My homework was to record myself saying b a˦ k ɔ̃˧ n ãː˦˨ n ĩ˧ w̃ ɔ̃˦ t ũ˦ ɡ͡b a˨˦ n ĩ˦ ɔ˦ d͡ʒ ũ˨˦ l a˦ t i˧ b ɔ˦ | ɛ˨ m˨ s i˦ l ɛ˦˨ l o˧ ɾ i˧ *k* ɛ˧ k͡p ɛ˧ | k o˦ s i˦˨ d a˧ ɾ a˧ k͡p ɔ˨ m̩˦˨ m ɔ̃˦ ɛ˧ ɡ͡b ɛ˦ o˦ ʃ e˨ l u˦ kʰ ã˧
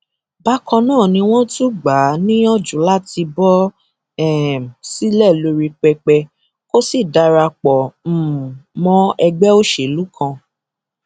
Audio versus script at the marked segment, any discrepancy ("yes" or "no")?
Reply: yes